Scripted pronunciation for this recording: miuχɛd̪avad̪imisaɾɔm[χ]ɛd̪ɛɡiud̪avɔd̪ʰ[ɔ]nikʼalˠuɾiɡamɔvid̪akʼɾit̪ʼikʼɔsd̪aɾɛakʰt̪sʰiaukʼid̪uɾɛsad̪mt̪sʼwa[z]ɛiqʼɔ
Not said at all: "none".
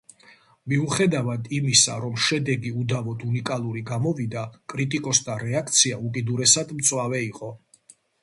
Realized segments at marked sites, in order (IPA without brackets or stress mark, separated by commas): ʃ, u, v